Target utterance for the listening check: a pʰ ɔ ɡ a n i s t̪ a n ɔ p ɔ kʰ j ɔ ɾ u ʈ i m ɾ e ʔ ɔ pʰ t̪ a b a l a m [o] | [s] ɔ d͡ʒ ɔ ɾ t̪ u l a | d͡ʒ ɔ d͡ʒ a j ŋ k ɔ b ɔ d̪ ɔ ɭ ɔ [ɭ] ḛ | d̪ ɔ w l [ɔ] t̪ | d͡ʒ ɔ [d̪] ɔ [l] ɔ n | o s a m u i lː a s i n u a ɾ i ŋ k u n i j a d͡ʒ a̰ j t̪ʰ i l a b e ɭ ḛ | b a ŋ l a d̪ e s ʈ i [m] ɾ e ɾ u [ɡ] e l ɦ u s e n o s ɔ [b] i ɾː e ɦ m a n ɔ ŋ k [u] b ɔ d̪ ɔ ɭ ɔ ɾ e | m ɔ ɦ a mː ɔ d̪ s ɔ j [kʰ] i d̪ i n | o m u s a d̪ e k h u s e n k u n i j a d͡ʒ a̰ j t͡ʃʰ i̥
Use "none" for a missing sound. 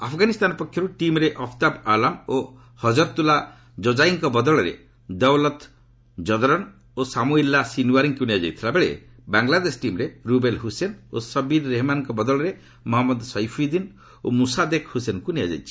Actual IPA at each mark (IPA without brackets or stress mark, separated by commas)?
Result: o, h, ɾ, ɔ, d̪, ɾ, m, b, b, ɔ, pʰ